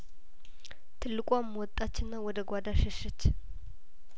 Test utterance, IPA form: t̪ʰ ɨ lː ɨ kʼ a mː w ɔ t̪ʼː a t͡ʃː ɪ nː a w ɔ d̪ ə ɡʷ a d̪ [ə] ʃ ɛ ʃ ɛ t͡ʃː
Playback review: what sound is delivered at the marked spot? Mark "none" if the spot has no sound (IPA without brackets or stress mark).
a